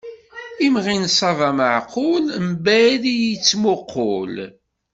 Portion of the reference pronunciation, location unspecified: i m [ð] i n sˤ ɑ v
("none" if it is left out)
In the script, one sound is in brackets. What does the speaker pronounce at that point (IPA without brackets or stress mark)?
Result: ʁ